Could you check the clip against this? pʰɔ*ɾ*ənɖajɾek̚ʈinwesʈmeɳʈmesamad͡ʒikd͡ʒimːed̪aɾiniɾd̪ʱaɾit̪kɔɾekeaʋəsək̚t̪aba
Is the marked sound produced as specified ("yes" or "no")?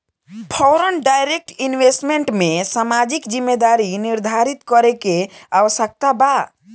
yes